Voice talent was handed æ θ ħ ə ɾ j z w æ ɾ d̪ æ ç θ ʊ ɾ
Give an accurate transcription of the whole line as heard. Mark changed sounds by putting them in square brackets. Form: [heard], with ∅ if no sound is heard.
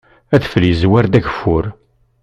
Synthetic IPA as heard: æ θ [f] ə [l] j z w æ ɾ d̪ æ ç [f] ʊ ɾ